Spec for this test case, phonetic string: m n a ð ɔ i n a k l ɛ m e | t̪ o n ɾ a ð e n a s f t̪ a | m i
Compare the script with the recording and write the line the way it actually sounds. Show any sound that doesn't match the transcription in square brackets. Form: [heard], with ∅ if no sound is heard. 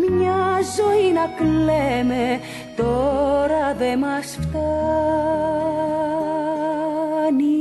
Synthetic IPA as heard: m [ɲ] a [z] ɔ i n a k l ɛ m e | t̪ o [∅] ɾ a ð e [m] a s f t̪ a | [n] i